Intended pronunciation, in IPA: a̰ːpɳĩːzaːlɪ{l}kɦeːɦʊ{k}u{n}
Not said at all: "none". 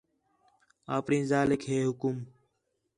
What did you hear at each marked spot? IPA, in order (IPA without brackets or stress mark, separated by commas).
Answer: none, k, m